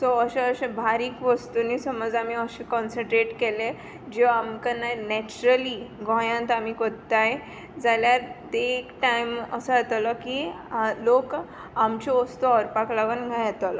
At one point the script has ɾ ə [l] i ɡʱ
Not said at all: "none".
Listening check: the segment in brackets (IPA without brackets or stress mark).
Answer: l